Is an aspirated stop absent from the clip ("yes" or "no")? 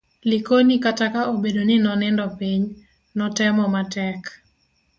yes